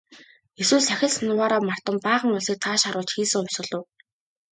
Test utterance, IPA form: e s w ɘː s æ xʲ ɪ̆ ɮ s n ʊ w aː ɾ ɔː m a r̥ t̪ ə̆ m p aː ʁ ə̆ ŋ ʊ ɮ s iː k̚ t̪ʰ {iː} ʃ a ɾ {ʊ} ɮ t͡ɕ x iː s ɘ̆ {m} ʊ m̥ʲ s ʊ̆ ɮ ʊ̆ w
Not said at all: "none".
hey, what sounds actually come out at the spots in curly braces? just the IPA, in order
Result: aː, ʊː, ŋ

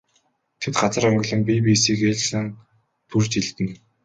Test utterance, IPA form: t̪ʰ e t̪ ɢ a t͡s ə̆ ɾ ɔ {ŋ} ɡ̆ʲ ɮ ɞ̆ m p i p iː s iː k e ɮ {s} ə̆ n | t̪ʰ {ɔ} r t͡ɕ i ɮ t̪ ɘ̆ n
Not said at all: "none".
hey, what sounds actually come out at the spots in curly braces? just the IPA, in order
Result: ŋ, s, u

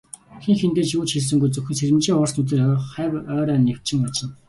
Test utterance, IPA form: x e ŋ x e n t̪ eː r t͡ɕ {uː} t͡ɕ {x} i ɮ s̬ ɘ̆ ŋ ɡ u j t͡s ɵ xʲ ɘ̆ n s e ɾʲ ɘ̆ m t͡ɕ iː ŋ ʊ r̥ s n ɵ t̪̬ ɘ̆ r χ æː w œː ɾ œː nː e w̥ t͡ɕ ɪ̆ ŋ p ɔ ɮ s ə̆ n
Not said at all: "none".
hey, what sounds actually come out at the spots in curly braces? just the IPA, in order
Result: uː, x

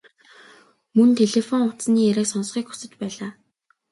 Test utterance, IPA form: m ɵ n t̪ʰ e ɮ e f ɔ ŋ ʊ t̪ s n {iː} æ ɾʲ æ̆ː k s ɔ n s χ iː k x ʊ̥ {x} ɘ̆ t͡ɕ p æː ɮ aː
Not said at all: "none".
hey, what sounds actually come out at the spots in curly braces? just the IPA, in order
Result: iː, s

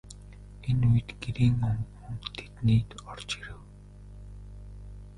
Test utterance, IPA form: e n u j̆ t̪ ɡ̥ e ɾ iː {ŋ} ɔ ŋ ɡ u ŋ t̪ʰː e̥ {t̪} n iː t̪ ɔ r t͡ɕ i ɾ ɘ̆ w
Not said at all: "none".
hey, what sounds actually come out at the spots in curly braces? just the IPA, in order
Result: ŋ, t̪

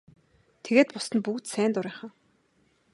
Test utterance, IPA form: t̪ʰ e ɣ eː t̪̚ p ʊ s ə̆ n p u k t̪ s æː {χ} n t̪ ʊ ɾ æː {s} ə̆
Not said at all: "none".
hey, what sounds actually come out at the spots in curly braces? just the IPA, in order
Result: none, χ

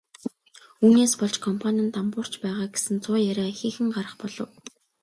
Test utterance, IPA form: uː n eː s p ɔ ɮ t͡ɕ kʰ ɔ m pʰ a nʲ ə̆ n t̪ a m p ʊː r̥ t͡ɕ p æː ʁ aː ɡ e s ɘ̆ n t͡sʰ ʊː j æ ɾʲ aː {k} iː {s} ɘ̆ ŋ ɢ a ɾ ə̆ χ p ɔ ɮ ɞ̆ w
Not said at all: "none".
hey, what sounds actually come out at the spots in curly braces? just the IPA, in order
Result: x, x

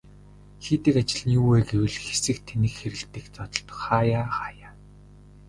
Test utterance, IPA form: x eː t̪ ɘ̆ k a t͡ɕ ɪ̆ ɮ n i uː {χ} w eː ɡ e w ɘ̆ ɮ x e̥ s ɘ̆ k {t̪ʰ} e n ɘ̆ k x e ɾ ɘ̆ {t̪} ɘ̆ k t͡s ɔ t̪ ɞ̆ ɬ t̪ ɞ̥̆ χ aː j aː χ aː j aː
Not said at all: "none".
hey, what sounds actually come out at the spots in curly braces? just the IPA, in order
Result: none, t̪ʰ, t̪

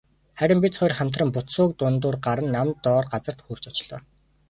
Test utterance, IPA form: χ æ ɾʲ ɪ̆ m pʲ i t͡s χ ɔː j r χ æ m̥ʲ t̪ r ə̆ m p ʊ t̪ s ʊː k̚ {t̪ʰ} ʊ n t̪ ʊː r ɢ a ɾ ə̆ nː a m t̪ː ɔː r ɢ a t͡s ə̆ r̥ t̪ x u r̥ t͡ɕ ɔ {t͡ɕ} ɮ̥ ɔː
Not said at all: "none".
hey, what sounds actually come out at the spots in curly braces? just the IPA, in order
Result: t̪, t͡ɕ

